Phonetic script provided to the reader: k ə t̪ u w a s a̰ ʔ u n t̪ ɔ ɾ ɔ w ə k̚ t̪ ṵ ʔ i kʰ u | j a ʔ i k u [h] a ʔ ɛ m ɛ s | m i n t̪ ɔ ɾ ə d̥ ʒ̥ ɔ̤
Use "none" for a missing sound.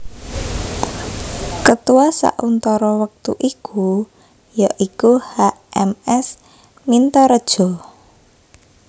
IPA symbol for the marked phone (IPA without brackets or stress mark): h